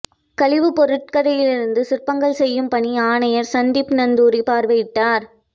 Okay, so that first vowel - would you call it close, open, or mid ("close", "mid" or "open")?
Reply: open